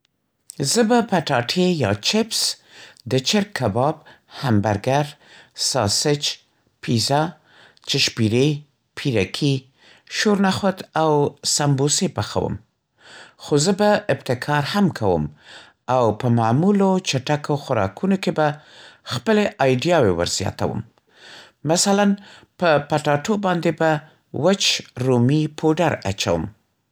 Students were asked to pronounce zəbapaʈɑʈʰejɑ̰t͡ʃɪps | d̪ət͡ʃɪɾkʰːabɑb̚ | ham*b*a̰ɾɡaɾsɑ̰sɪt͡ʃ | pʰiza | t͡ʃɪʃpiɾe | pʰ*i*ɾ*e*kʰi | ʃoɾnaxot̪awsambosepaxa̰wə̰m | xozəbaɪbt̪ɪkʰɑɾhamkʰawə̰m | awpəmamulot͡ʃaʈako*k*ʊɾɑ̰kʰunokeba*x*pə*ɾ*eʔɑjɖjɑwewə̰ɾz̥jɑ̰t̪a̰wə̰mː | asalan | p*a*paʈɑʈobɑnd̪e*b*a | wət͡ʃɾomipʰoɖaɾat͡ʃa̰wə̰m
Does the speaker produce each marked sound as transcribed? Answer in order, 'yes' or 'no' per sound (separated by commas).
yes, yes, no, no, yes, no, no, yes